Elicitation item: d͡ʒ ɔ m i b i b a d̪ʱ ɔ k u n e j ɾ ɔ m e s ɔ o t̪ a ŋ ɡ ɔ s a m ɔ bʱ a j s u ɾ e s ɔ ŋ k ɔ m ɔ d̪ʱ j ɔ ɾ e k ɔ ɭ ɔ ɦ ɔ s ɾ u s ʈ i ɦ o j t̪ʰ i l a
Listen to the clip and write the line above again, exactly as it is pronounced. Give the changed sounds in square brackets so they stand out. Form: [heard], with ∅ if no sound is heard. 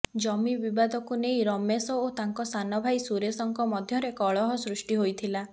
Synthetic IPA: d͡ʒ ɔ m i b i b a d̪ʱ ɔ k u n e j ɾ ɔ m e s ɔ o t̪ a ŋ [k] ɔ s a [n] ɔ bʱ a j s u ɾ e s ɔ ŋ k ɔ m ɔ d̪ʱ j ɔ ɾ e k ɔ ɭ ɔ ɦ ɔ s ɾ u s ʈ i ɦ o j t̪ʰ i l a